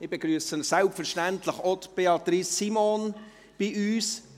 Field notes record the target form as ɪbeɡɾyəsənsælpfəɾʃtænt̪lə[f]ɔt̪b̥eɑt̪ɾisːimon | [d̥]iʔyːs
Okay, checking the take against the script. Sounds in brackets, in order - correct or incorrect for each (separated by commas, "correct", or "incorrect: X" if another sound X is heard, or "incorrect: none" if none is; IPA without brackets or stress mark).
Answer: incorrect: χ, incorrect: b̥